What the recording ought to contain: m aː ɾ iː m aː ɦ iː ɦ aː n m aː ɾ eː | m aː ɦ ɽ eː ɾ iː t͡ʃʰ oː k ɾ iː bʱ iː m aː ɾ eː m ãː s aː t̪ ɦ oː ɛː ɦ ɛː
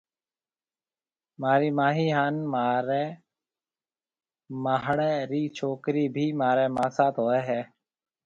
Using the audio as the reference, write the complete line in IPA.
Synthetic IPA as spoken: m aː ɾ iː m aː ɦ iː ɦ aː n m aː ɾ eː | m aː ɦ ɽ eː ɾ iː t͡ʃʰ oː k ɾ iː bʱ iː m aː ɾ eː m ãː s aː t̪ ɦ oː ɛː ɦ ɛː